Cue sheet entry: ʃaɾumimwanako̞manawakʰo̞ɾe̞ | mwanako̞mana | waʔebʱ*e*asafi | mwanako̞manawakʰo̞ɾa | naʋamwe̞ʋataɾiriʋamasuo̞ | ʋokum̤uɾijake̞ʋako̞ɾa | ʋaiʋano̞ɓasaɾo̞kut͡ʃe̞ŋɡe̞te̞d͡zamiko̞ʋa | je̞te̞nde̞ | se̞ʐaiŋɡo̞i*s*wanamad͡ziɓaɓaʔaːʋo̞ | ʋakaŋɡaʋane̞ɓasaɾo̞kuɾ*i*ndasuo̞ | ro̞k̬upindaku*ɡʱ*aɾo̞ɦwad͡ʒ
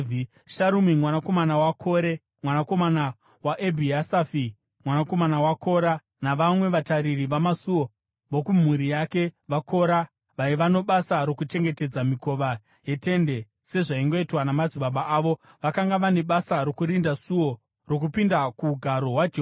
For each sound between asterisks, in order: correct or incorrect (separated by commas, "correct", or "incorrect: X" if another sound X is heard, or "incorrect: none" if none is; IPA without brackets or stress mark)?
incorrect: i, incorrect: t, correct, correct